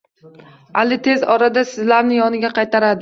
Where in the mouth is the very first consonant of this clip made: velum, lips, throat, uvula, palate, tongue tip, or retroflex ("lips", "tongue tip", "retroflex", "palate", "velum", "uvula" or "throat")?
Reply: tongue tip